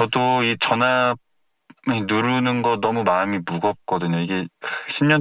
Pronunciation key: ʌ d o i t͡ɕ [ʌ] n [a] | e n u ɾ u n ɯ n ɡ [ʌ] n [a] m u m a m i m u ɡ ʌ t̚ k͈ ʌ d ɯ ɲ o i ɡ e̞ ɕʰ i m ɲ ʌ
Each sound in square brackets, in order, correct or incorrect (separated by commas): correct, correct, correct, incorrect